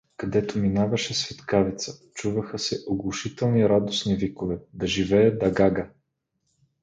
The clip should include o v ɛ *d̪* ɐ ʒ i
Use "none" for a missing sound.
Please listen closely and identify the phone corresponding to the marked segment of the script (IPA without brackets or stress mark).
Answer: d̪